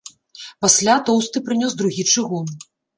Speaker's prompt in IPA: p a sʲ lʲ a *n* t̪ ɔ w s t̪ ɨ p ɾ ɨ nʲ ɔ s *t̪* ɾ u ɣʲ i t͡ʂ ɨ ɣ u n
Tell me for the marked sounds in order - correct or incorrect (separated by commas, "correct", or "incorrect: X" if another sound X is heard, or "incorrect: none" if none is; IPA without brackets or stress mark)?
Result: incorrect: none, incorrect: d̪